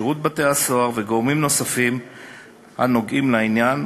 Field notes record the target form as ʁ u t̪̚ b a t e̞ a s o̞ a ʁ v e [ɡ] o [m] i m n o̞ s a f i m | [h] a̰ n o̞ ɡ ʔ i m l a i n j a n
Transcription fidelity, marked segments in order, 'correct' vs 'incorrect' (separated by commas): correct, correct, correct